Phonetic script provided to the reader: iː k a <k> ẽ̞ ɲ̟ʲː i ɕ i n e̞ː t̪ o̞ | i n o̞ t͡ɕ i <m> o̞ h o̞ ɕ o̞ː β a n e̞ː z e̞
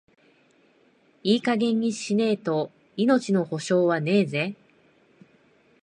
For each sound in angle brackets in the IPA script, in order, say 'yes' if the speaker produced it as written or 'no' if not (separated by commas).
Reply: no, no